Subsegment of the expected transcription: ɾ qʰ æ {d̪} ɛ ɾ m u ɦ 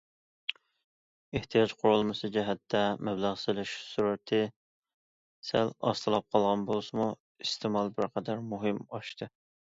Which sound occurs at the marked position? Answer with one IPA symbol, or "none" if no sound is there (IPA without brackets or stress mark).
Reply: d̪